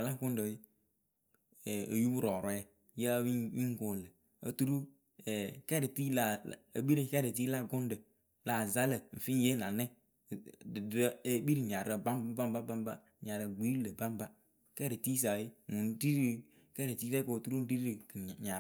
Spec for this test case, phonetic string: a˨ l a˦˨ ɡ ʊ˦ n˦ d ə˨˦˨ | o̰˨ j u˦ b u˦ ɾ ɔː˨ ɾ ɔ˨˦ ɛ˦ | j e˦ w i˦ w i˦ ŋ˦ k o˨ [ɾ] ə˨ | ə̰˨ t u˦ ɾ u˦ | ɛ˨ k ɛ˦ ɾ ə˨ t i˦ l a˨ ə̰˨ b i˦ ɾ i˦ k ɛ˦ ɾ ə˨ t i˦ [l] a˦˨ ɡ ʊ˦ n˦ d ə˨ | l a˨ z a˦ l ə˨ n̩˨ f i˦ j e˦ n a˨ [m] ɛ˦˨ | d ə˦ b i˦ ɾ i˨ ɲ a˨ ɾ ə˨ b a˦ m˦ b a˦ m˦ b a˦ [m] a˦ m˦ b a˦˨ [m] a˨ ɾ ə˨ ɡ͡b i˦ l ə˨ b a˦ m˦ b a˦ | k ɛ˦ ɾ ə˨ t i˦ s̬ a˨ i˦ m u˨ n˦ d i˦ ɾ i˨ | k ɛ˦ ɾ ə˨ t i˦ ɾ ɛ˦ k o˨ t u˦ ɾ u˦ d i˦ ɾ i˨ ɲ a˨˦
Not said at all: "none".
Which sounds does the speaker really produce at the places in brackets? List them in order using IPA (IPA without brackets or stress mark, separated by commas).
l, l, n, b, ɲ